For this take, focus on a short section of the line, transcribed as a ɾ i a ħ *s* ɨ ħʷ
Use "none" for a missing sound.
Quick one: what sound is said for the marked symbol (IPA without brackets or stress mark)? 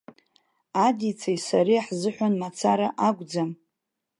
z